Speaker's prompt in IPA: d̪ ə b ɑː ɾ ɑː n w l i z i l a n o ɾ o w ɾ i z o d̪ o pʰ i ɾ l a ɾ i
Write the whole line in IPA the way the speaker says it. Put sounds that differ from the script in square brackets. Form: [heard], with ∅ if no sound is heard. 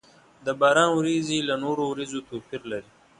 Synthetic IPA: d̪ ə b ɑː ɾ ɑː n w [ɾ] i z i l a n o ɾ o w ɾ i z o [t̪] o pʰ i ɾ l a ɾ i